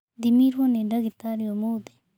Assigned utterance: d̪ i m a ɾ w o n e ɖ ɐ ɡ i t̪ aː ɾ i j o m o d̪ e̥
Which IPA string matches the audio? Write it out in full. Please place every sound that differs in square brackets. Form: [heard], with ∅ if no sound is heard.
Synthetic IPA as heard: d̪ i m [i] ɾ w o n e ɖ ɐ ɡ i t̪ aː ɾ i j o m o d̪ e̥